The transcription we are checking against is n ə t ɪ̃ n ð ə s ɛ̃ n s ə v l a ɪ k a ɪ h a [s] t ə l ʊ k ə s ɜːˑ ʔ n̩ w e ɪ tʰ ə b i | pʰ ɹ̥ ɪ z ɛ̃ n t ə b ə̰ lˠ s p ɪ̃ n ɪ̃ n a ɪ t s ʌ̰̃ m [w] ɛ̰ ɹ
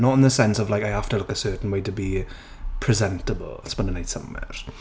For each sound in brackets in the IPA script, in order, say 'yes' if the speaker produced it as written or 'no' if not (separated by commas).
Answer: no, yes